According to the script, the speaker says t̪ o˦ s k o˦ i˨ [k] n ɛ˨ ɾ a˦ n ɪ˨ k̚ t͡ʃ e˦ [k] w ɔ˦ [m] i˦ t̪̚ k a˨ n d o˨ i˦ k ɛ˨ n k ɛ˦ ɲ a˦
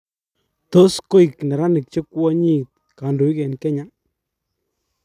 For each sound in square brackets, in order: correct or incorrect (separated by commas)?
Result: correct, correct, incorrect